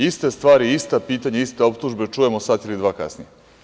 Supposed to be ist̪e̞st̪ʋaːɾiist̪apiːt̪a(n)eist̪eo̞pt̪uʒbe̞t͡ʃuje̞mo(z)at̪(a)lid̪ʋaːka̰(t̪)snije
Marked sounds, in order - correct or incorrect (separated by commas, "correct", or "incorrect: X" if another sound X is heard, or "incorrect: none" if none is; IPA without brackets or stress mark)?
incorrect: ɲ, incorrect: s, incorrect: i, incorrect: none